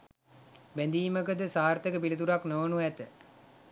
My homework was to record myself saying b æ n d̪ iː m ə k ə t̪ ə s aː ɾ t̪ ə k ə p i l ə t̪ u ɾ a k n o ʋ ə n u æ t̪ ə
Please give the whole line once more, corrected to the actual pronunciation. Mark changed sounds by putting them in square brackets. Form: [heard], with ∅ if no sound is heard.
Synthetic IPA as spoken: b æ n d̪ iː m ə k ə [d̪] ə s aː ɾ t̪ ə k ə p i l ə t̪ u ɾ a k n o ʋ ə n u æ t̪ ə